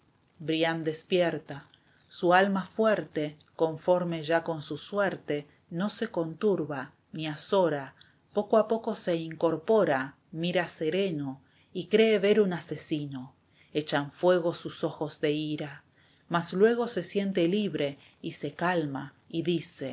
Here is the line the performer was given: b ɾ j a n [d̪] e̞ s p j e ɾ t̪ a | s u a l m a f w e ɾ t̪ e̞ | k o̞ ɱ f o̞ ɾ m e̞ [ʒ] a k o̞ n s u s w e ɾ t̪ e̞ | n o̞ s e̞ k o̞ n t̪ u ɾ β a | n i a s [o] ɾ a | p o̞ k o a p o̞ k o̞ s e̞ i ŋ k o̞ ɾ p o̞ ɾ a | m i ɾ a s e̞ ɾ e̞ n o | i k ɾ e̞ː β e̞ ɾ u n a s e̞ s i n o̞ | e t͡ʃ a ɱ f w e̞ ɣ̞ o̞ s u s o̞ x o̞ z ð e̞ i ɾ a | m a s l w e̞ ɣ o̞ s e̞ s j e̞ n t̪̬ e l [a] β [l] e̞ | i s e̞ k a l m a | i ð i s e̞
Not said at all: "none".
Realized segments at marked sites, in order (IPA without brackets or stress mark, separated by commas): d̪, ʒ, o, i, ɾ